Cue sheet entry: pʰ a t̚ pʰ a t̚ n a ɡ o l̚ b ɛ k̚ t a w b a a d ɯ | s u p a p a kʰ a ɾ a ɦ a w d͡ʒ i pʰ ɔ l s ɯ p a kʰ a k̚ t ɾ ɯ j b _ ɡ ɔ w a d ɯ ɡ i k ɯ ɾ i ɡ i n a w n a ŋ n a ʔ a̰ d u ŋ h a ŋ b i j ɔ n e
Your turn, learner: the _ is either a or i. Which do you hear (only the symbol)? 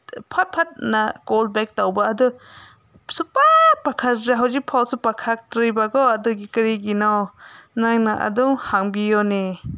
a